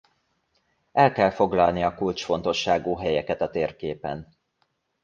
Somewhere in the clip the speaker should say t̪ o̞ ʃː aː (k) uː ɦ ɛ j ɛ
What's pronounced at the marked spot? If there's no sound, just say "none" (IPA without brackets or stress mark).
ɡ